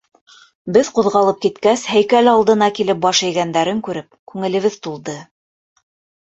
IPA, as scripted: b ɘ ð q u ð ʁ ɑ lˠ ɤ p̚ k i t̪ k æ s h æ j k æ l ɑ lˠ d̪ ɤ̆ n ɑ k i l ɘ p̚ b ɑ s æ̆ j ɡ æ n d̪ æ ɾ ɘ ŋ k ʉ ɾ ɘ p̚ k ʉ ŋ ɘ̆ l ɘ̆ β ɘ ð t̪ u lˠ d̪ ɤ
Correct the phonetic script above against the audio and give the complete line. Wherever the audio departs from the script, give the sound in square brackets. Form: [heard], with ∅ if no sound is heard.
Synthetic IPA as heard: b ɘ ð q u ð ʁ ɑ lˠ ɤ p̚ k i t̪ k æ s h æ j k æ l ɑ lˠ d̪ ɤ̆ n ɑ k i l ɘ p̚ b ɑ [ʃ] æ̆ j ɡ æ n d̪ æ ɾ ɘ ŋ k ʉ ɾ ɘ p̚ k ʉ ŋ ɘ̆ l ɘ̆ β ɘ ð t̪ u lˠ d̪ ɤ